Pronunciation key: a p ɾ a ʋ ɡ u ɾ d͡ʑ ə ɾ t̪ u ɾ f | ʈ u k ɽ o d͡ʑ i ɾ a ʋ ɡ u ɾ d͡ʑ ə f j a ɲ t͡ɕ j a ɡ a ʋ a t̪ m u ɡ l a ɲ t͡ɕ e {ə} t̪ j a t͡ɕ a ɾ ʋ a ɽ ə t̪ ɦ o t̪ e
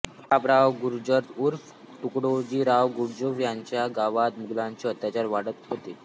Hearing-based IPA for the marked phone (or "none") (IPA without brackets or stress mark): ə